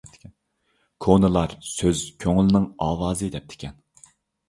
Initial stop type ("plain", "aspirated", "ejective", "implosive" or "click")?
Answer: aspirated